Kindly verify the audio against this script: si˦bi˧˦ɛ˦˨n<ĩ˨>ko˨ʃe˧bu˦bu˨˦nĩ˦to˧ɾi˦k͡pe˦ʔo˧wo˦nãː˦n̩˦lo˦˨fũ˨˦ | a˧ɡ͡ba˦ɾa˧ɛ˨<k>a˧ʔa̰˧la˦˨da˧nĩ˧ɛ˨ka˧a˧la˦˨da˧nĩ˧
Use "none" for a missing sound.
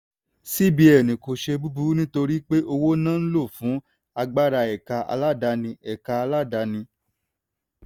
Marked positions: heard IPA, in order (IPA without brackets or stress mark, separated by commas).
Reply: ĩ˨, k